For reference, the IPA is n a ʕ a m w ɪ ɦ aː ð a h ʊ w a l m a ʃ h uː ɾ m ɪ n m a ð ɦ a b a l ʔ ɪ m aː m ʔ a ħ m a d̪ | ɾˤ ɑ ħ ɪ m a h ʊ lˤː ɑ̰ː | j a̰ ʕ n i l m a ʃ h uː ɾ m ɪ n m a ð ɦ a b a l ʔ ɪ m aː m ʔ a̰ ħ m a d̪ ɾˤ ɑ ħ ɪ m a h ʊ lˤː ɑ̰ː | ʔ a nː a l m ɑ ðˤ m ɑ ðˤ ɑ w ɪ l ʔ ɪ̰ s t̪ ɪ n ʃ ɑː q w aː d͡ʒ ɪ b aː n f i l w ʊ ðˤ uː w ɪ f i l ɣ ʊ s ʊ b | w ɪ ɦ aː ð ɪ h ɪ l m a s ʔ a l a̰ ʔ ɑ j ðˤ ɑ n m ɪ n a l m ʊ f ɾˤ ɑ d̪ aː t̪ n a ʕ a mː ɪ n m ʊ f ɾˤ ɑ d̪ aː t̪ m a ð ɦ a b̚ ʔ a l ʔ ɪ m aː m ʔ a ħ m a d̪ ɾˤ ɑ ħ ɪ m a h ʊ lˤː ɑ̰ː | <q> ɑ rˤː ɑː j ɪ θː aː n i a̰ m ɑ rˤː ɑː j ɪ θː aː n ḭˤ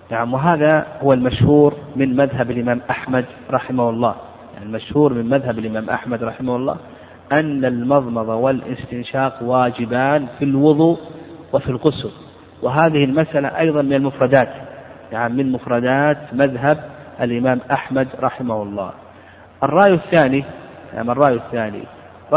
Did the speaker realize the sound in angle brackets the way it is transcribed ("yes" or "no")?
no